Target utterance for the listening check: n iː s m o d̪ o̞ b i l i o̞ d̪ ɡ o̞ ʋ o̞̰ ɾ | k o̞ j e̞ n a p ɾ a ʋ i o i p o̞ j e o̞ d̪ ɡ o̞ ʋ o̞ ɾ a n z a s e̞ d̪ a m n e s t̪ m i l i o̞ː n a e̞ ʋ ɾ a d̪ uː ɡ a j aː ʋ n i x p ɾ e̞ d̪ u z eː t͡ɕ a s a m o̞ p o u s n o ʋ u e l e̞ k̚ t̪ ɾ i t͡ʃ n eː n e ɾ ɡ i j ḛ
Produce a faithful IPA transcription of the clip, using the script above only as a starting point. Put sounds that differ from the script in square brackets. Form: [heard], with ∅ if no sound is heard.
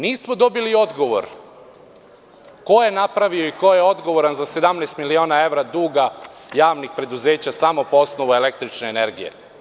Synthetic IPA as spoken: n iː s m o d̪ o̞ b i l i o̞ d̪ ɡ o̞ ʋ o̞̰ ɾ | k o̞ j e̞ n a p ɾ a ʋ i o i [k] o̞ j e o̞ d̪ ɡ o̞ ʋ o̞ ɾ a n z a s e̞ d̪ a m n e s t̪ m i l i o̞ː n a e̞ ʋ ɾ a d̪ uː ɡ a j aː ʋ n i x p ɾ e̞ d̪ u z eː t͡ɕ a s a m o̞ p o [o] s n o ʋ u e l e̞ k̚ t̪ ɾ i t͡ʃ n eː n e ɾ ɡ i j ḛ